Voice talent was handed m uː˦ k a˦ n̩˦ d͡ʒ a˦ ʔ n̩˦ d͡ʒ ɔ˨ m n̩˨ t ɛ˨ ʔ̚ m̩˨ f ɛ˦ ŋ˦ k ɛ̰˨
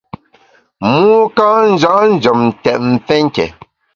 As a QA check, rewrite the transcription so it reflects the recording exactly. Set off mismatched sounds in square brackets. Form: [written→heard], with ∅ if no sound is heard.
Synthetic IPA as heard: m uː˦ k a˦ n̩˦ d͡ʒ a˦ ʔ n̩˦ d͡ʒ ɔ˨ m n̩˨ t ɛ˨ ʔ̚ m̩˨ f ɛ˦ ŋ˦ k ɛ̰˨